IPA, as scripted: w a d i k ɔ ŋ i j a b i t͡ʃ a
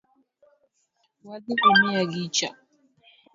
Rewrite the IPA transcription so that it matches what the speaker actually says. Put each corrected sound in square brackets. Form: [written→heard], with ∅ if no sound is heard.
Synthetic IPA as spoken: w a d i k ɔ [ŋ→m] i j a [b→ɡ] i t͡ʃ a